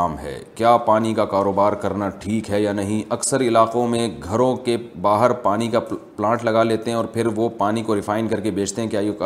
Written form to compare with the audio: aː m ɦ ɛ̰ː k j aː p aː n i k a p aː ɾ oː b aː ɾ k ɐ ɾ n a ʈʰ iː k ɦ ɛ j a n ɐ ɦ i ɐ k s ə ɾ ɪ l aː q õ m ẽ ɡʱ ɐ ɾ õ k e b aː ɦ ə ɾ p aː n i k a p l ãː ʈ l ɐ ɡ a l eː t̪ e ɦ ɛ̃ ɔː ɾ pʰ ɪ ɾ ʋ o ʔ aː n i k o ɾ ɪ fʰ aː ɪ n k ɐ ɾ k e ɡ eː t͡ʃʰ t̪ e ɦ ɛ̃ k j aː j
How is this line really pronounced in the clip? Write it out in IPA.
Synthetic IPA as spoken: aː m ɦ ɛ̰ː k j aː p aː n i k a k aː ɾ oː b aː ɾ k ɐ ɾ n a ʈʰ iː k ɦ ɛ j a n ɐ ɦ ĩ ɐ k s ə ɾ ɪ l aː q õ m ẽ ɡʱ ɐ ɾ õ k e b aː ɦ ə ɾ p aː n i k a p l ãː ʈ l ɐ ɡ a l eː t̪ e ɦ ɛ̃ ɔː ɾ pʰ ɪ ɾ ʋ o p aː n i k o ɾ ɪ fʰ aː ɪ n k ɐ ɾ k e b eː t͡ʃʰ t̪ e ɦ ɛ̃ k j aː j